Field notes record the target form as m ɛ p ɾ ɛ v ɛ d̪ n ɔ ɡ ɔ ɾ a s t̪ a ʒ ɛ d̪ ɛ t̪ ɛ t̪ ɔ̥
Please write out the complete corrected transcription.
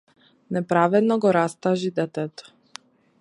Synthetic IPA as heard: n ɛ p ɾ a v ɛ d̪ n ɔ ɡ ɔ ɾ a s t̪ a ʒ i d̪ ɛ t̪ ɛ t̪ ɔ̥